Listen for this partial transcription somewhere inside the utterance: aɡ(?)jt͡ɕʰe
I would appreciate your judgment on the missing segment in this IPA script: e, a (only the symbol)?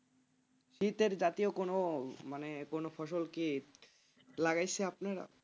a